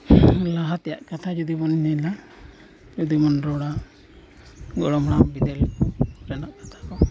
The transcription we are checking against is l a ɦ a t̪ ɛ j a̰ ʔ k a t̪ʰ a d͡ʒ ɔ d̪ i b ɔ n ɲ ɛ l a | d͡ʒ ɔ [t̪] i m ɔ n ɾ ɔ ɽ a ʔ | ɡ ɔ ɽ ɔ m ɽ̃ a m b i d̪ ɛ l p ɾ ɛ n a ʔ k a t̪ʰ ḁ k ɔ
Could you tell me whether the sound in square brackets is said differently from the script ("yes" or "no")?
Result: yes